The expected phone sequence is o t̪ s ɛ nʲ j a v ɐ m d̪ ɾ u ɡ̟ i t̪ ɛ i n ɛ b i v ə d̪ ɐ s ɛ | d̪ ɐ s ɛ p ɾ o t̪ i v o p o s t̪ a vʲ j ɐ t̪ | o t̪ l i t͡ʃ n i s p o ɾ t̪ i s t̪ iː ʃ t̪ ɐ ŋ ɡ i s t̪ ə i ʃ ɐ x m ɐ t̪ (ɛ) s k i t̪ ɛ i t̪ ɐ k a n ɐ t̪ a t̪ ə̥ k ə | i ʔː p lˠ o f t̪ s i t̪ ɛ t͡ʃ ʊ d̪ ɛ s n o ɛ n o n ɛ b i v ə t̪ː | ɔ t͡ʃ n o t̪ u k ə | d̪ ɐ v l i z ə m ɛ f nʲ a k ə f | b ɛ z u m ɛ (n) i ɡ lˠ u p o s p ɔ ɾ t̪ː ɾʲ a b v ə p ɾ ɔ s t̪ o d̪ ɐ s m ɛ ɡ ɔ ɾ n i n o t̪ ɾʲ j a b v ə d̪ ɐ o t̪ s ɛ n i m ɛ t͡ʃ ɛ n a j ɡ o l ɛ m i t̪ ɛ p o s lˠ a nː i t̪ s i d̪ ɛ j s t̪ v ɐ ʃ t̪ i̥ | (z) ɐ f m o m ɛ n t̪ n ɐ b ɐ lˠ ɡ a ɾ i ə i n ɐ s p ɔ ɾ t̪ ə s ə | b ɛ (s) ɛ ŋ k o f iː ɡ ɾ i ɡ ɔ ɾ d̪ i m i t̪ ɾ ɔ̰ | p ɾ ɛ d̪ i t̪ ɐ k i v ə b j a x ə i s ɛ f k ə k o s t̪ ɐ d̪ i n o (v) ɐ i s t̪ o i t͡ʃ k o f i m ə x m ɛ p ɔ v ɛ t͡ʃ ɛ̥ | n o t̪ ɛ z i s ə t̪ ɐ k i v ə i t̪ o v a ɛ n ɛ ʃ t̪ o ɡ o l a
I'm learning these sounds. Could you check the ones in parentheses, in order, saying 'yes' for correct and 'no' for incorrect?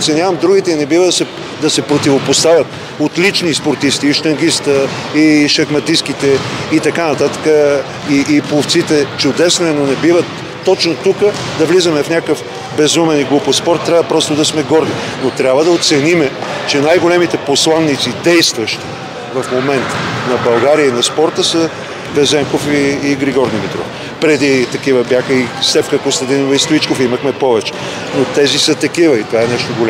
no, yes, no, no, yes

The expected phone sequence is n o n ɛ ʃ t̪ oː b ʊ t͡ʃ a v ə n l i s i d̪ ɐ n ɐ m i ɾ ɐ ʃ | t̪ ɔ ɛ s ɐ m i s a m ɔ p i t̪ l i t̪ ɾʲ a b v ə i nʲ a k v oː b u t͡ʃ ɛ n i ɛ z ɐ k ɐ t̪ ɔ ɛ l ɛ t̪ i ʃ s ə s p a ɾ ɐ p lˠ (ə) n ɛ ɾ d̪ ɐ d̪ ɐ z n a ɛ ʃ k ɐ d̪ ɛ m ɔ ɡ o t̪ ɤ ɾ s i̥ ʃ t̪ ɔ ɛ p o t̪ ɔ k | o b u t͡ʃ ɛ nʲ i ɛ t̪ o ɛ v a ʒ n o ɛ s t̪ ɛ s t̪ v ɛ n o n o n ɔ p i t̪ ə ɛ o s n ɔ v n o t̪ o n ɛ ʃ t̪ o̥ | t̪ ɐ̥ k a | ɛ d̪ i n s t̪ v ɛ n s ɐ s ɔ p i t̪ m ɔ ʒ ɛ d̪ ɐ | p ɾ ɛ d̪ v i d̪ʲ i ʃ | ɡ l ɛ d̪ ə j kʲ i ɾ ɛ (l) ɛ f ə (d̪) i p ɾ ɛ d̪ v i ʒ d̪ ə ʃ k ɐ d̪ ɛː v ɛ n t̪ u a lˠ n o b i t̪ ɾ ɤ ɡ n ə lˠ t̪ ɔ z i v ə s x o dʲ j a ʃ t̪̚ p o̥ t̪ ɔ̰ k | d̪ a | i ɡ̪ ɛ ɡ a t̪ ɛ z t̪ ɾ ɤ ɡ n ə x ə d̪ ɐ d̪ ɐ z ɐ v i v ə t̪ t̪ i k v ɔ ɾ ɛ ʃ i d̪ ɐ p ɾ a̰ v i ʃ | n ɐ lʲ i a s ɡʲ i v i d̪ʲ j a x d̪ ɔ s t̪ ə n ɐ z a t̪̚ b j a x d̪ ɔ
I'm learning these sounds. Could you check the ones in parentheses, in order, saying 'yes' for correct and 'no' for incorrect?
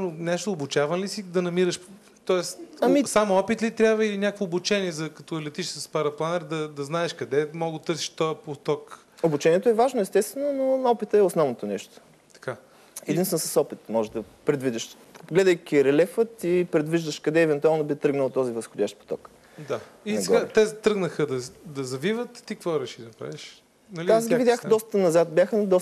no, yes, no

